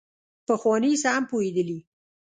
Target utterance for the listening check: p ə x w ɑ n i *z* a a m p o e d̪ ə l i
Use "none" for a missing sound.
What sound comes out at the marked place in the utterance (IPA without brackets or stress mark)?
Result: s